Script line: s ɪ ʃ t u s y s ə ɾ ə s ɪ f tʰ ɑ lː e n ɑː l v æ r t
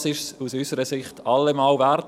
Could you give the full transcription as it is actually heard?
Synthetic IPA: s ɪ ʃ s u s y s ə ɾ ə s ɪ χ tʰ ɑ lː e m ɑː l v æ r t

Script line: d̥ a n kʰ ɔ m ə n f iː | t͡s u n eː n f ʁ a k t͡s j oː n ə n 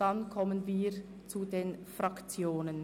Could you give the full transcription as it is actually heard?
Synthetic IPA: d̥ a n kʰ ɔ m ə n v iː | t͡s u d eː n f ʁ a k t͡s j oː n ə n

